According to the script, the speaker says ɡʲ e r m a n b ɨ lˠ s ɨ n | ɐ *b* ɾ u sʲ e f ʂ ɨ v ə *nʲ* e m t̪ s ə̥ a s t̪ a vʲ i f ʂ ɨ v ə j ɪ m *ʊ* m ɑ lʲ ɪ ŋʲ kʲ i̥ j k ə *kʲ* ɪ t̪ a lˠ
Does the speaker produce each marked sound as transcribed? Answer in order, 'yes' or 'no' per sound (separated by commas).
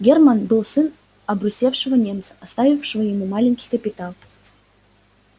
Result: yes, yes, no, no